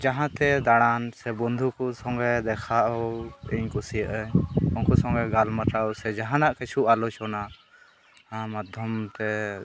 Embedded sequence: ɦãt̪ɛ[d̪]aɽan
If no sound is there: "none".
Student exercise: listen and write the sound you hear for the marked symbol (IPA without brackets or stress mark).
d̪